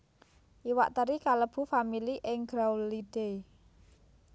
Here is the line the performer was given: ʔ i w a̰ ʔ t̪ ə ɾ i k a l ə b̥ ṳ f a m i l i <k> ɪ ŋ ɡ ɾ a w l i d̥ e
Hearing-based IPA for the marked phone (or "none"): ʔ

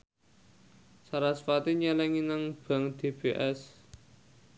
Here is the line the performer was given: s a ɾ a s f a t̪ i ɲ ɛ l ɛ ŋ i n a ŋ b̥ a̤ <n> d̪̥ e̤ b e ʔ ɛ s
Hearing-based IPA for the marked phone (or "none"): ŋ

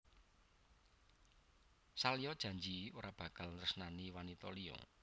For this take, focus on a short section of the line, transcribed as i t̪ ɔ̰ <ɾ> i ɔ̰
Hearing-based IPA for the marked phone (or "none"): l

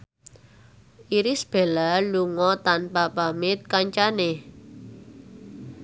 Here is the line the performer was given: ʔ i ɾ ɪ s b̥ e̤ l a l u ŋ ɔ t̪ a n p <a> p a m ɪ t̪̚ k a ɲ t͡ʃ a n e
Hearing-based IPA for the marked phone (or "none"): a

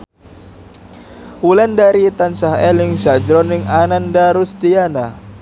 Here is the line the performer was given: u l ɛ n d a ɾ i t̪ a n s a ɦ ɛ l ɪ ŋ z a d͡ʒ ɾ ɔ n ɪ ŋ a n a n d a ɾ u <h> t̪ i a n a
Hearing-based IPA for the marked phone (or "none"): s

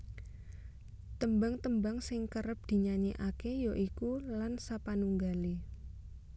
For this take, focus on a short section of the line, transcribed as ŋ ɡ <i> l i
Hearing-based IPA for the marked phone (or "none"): a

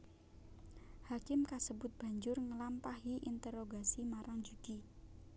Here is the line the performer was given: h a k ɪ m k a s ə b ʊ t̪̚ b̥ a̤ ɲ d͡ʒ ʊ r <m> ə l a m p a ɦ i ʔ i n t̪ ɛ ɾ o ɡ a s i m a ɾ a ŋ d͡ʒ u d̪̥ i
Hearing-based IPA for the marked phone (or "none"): ŋ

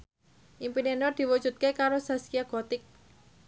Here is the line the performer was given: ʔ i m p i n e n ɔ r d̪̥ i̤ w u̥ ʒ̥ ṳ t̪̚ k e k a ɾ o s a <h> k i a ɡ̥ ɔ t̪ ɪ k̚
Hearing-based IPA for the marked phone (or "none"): s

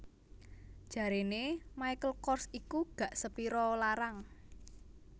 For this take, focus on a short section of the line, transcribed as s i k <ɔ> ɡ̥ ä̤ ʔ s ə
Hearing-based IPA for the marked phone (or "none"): u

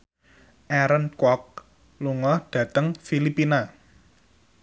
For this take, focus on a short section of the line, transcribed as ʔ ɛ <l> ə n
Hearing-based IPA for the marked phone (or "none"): ɾ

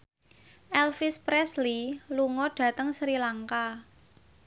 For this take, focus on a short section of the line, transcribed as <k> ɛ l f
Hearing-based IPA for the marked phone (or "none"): ʔ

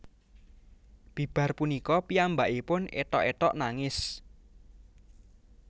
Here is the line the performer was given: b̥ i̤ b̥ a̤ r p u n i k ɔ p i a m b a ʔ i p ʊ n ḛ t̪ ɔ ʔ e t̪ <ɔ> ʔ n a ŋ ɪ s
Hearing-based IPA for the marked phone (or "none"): ɔ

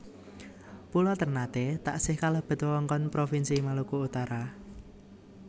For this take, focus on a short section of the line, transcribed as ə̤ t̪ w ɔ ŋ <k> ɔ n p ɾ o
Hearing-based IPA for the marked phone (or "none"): k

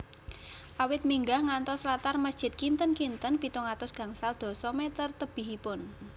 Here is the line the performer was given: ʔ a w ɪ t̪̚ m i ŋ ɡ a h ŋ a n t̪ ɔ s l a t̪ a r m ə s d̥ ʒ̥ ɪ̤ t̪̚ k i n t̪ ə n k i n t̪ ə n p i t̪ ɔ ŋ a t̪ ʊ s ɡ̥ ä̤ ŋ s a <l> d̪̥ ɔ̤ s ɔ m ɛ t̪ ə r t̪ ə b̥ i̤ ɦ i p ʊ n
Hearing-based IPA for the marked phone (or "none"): l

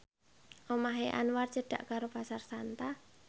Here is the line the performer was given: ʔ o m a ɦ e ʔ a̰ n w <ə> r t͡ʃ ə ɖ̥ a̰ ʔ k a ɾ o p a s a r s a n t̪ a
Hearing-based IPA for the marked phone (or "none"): a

